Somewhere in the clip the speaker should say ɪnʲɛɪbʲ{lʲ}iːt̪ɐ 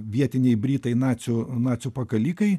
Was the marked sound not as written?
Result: yes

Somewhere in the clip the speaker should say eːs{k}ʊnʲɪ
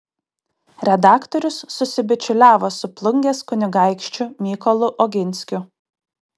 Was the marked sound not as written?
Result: no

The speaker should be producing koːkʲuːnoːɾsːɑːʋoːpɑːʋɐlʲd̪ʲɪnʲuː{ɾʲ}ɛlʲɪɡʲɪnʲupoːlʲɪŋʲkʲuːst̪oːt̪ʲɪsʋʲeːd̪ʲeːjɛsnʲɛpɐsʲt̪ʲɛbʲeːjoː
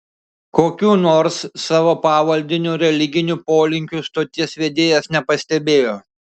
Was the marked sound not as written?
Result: no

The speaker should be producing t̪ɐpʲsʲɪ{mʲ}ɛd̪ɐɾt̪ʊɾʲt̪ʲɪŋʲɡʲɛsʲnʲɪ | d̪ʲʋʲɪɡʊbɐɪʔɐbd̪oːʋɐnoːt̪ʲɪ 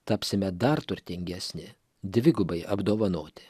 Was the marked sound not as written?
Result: no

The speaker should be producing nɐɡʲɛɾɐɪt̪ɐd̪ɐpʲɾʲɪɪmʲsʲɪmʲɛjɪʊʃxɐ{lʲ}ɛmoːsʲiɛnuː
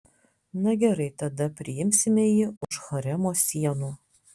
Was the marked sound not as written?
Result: yes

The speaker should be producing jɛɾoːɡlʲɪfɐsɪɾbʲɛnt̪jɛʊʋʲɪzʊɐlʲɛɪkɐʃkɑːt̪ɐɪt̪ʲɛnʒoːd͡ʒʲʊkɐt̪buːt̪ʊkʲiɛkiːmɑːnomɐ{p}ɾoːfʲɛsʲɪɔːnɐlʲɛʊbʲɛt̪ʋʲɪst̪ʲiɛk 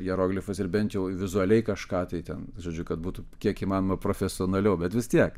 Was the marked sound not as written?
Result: no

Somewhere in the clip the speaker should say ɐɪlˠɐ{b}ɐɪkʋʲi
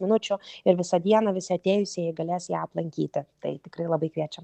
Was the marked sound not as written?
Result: no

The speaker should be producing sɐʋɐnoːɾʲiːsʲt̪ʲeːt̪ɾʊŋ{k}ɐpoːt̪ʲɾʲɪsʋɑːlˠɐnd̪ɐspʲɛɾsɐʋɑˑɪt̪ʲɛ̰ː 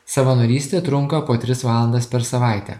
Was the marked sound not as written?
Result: no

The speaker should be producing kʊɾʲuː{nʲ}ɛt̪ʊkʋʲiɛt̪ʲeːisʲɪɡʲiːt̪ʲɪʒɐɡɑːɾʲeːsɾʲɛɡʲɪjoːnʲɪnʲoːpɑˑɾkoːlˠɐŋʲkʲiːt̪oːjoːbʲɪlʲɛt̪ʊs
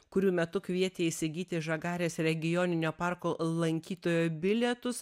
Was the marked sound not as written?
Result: yes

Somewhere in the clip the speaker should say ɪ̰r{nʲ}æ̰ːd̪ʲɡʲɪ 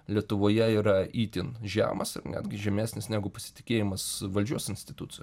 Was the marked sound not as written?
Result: no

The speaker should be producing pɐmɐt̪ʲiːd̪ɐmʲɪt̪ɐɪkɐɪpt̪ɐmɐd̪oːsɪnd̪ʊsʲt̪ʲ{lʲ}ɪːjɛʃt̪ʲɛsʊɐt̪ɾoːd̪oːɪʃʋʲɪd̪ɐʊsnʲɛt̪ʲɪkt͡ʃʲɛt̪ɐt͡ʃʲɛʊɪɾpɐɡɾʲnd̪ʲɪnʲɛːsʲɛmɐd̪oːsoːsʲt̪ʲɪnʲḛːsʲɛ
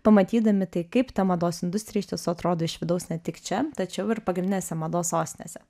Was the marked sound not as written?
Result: yes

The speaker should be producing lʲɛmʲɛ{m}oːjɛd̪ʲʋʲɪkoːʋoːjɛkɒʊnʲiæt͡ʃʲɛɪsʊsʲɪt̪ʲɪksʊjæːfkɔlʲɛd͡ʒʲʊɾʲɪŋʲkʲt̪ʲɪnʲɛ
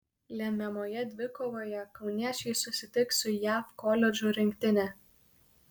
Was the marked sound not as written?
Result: no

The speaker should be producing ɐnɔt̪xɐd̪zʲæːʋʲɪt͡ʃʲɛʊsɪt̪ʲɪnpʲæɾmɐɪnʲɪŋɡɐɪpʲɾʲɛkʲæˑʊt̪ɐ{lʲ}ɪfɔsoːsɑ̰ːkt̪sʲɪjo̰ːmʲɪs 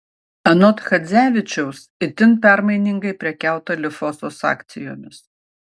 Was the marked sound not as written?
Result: no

